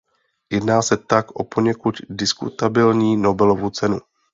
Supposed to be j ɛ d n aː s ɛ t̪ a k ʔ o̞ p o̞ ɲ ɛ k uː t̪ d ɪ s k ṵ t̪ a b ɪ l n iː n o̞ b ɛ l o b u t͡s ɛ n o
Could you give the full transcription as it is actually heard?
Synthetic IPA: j ɛ d n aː s ɛ t̪ a k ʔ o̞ p o̞ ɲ ɛ k u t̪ d ɪ s k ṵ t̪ a b ɪ l ɲ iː n o̞ b ɛ l o v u t͡s ɛ n u